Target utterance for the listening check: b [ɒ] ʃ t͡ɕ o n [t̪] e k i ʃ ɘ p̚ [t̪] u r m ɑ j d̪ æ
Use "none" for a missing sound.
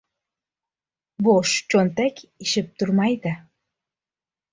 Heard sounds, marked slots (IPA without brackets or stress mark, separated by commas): o, t̪, t̪